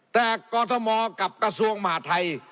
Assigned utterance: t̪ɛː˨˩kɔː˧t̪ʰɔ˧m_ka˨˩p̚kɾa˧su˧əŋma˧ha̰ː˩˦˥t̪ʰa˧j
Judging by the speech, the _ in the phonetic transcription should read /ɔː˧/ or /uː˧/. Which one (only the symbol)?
ɔː˧